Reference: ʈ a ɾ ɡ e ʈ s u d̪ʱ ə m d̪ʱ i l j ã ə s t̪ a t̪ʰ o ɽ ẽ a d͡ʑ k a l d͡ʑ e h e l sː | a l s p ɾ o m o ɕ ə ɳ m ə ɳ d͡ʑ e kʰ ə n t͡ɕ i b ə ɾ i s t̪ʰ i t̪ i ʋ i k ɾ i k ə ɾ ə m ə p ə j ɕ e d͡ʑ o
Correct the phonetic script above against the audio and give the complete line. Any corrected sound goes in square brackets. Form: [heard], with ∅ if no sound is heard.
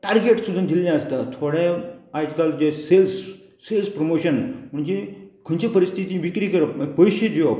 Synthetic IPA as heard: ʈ a ɾ ɡ e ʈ s u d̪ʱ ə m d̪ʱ i l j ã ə s t̪ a t̪ʰ o ɽ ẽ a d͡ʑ k a l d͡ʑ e [s] e l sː | [e] l s p ɾ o m o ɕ ə [n] m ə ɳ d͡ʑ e kʰ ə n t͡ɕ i [p] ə ɾ i s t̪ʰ i t̪ i ʋ i k ɾ i k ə ɾ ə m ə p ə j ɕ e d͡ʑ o